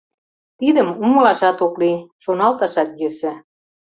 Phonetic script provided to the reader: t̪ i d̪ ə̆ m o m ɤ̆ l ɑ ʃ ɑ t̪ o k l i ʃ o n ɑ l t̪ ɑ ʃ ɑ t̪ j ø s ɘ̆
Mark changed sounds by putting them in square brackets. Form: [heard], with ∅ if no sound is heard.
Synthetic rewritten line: t̪ i d̪ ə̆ m [u] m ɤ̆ l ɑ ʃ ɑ t̪ o k l i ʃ o n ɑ l t̪ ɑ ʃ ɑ t̪ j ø s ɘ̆

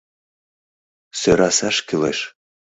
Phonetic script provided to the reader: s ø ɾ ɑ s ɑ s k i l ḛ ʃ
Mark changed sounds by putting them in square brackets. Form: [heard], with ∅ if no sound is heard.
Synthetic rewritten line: s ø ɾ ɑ s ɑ [ʃ] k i l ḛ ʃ

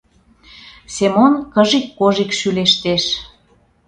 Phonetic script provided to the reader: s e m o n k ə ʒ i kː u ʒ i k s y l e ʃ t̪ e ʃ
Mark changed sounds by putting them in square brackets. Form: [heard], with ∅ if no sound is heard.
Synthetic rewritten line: s e m o n k ə ʒ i kː [o] ʒ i k [ʃ] y l e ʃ t̪ e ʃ

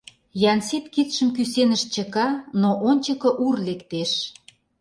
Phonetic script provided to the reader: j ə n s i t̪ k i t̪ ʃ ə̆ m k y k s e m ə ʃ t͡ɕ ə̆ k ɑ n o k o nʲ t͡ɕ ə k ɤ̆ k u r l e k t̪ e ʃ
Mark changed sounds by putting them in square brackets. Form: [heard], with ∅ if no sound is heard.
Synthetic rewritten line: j [ɑ] n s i t̪ k i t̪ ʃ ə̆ m k y [∅] s e [n] ə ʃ t͡ɕ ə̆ k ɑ n o [ʔ] o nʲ t͡ɕ ə k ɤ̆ [ʔ] u r l e k t̪ e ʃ

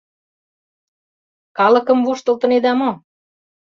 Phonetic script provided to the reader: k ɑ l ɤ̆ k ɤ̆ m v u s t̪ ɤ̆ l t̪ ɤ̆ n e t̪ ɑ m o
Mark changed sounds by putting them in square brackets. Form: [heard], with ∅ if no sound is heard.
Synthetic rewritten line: k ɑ l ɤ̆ k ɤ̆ m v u [ʃ] t̪ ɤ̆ l t̪ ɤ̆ n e [d̪] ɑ m o

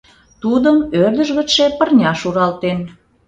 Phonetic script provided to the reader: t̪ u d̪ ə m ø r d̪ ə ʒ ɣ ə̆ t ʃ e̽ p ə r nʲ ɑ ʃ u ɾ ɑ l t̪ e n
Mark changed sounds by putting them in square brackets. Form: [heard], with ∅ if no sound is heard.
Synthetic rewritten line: t̪ u d̪ ə m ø r d̪ ə ʒ ɣ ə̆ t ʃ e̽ p ə r nʲ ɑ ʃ u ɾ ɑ l t̪ e n

